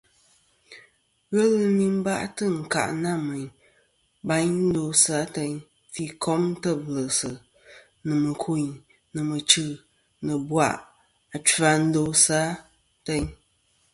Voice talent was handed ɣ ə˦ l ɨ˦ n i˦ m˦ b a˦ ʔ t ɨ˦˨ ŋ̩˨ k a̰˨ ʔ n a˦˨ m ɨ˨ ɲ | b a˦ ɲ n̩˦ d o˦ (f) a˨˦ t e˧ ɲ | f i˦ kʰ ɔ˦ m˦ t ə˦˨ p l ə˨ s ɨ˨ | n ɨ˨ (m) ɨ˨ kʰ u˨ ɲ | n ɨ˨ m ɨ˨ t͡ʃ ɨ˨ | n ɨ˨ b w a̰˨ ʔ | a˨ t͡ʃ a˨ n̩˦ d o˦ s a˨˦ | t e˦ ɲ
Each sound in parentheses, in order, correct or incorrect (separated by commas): incorrect, correct